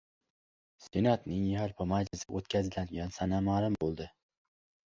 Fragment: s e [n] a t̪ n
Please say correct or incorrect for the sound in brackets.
correct